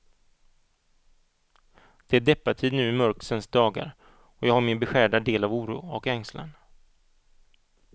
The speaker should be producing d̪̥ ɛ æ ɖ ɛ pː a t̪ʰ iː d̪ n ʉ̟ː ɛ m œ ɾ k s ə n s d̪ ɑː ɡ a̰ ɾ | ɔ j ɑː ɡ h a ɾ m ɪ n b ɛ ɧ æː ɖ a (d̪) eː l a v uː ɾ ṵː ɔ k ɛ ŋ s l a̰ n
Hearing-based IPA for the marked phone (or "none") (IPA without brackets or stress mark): d̪